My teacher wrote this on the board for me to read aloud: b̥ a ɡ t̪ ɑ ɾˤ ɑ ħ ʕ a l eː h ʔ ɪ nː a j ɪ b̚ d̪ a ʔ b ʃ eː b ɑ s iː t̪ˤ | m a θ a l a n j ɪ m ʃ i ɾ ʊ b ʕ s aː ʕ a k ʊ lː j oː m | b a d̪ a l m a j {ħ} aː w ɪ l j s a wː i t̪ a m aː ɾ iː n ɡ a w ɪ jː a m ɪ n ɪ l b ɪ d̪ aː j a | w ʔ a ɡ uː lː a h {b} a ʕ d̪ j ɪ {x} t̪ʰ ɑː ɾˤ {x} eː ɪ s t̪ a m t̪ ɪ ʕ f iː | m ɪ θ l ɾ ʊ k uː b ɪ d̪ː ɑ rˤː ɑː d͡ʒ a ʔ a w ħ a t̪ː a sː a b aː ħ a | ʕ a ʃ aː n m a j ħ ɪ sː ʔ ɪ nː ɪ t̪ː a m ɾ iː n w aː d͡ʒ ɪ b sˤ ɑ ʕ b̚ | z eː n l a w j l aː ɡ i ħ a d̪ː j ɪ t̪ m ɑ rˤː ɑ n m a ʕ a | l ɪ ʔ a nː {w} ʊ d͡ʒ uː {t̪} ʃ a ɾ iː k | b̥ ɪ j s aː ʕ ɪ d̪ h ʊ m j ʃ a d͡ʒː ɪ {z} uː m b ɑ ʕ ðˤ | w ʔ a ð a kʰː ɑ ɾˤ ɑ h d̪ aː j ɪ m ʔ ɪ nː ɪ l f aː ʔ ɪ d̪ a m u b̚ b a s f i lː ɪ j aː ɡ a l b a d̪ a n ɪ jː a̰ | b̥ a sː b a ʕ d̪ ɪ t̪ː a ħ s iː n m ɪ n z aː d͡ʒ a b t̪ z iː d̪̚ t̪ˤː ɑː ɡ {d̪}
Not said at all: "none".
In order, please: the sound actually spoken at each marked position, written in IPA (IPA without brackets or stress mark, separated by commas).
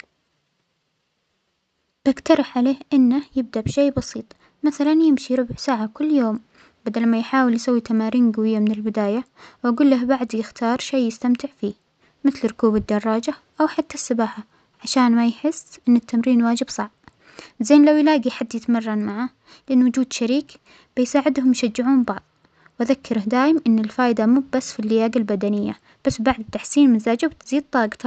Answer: ħ, b, x, ʃ, w, d̪, ʕ, t̪